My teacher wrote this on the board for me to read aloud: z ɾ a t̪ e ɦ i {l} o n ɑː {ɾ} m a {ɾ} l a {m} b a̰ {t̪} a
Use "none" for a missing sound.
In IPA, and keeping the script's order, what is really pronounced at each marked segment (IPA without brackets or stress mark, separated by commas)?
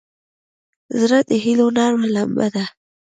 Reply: l, ɾ, none, m, d̪